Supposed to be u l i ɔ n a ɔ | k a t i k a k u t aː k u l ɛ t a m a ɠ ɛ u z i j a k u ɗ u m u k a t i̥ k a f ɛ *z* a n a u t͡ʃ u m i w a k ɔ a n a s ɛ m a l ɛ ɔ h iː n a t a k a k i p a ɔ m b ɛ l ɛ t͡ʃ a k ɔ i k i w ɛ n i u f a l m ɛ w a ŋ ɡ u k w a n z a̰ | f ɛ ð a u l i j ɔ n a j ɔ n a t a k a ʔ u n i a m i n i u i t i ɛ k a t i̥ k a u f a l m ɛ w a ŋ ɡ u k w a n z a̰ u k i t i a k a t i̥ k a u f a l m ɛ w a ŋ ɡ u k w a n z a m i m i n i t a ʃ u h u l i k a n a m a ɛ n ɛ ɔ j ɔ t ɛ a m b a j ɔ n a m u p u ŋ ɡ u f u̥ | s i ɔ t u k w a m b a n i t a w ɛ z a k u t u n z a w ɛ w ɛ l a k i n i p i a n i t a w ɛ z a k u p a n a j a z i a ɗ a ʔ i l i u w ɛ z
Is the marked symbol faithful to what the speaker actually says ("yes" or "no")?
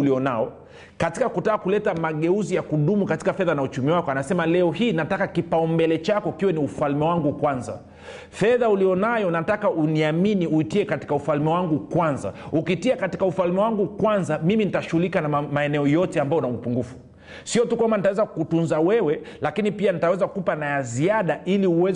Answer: no